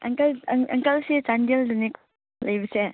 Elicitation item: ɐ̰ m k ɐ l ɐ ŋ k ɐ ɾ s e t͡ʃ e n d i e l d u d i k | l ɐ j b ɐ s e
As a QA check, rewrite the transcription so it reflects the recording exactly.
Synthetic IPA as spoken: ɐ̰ ŋ k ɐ l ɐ ŋ k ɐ l s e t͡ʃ a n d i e l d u n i k | l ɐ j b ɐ s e